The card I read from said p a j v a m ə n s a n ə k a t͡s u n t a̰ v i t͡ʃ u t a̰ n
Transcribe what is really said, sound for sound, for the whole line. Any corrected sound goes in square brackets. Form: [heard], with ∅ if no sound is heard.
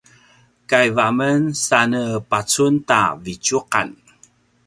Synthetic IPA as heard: [k] a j v a m ə n s a n ə [p] a t͡s u n t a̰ v i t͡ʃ u [q] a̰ n